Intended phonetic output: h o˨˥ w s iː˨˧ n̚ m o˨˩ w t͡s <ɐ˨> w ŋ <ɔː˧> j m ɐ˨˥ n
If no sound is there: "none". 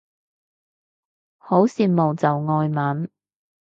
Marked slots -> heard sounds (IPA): ɐ˨, ɔː˧

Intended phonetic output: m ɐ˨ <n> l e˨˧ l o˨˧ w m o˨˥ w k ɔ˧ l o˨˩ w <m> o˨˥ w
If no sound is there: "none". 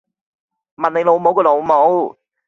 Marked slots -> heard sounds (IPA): n, m

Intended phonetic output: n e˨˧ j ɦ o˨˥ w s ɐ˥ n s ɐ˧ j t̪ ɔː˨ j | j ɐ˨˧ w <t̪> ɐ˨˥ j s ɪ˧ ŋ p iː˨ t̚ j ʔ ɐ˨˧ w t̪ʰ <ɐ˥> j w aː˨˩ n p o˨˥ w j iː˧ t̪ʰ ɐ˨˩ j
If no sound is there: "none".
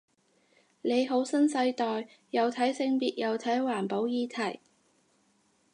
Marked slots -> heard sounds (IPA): t̪ʰ, ɐ˨˥

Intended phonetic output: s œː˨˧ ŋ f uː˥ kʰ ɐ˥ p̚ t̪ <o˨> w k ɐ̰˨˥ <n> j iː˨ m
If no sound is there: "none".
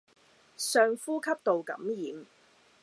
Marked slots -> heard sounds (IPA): o˨, m

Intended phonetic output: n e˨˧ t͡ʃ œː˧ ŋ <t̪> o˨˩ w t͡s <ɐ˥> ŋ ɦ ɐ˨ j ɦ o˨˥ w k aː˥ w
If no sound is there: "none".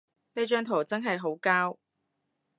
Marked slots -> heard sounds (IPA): t̪ʰ, ɐ˥

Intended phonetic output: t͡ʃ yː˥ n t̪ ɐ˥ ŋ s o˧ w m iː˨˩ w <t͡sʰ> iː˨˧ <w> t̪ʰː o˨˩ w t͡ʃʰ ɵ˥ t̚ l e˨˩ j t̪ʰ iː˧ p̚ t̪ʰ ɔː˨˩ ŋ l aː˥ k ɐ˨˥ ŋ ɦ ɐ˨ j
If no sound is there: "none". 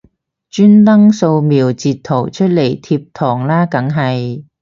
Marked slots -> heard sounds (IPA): t͡s, none

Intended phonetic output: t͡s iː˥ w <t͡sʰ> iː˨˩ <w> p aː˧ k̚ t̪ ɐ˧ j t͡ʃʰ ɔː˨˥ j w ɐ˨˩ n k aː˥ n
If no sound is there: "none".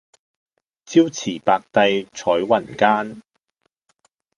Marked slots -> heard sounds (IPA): t͡sʰ, none

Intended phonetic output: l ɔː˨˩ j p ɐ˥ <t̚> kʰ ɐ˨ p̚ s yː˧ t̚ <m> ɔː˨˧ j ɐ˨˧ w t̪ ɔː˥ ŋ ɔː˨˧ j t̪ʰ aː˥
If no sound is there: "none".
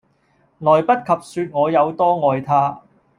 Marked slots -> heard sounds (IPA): t̚, ŋ

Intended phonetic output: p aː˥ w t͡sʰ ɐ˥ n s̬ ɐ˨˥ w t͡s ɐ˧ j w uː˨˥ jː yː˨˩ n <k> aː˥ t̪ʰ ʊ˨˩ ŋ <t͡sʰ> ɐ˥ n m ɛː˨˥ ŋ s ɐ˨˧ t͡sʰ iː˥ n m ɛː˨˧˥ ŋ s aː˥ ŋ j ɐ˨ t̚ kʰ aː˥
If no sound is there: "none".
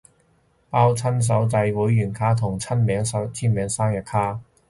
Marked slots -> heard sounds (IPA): kʰ, t͡sʰ

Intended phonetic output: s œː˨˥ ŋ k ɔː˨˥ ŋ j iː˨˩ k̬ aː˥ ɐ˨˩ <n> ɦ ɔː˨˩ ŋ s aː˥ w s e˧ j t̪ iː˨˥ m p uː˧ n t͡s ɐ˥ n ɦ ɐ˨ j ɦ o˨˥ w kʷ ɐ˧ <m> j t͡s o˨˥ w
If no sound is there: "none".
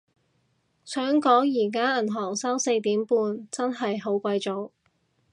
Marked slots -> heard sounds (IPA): n, none

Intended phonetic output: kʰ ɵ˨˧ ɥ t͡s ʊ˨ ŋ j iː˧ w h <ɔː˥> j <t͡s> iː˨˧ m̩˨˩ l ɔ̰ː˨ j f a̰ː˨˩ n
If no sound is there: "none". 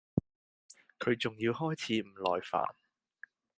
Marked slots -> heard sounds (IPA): ɔː˥, t͡sʰ

